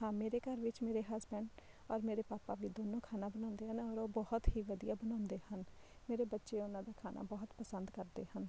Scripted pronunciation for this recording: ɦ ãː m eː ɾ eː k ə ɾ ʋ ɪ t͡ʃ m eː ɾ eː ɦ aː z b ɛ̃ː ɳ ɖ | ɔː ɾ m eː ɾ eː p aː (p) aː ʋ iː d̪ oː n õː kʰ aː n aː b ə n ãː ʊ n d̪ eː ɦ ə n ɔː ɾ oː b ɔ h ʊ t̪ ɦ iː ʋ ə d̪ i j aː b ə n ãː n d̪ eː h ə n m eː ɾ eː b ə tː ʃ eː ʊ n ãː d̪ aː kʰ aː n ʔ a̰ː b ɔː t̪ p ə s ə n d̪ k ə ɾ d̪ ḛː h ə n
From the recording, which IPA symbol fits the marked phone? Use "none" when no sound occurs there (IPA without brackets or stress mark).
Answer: p